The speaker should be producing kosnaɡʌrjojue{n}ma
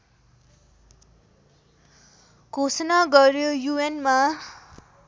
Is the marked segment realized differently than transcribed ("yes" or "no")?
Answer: no